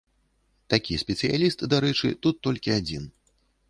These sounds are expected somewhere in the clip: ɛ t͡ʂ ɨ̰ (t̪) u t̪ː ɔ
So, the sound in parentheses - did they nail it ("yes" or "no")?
yes